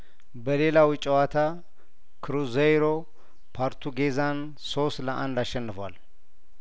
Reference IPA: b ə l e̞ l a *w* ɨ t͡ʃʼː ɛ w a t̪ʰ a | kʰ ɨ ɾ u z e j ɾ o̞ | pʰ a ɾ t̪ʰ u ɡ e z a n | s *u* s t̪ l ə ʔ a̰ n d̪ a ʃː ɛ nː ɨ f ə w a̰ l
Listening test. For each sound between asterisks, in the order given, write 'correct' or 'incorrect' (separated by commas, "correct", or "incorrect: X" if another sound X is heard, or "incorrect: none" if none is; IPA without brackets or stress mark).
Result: correct, incorrect: o